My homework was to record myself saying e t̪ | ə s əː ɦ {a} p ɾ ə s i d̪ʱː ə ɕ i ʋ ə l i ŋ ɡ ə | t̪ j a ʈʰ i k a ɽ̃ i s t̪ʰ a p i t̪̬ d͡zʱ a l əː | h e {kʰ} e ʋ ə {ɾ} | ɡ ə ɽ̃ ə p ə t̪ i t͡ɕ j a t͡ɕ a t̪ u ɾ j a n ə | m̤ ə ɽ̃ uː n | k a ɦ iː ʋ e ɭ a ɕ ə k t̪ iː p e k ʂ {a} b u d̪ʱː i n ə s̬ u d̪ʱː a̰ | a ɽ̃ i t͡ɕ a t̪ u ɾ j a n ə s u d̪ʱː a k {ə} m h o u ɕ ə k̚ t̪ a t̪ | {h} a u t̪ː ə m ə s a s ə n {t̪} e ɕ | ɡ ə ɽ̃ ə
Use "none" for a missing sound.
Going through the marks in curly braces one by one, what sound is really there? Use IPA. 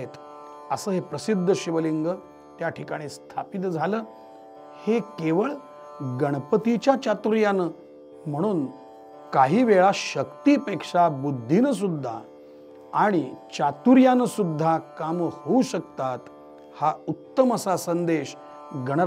e, k, ɭ, a, a, h, d̪

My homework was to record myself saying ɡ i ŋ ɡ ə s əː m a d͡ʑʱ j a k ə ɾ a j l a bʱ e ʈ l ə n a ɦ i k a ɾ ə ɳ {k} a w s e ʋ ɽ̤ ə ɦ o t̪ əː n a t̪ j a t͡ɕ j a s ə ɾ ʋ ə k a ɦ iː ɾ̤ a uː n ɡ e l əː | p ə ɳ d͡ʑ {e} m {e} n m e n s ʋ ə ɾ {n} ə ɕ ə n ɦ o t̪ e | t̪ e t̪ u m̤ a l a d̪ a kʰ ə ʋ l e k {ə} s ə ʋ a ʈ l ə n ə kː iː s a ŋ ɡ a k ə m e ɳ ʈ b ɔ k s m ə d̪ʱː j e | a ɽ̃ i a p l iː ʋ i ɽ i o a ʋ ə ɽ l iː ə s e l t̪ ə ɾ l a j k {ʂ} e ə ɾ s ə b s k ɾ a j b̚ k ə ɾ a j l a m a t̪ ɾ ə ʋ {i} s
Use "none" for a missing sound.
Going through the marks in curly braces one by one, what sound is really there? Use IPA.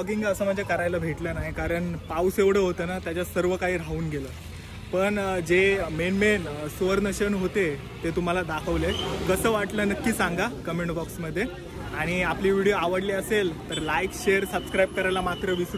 p, e, e, n, ə, ɕ, i

